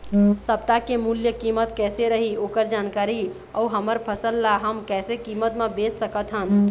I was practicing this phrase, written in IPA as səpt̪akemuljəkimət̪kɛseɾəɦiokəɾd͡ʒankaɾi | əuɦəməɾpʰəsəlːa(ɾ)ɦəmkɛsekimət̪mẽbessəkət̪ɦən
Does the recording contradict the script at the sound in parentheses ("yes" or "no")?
yes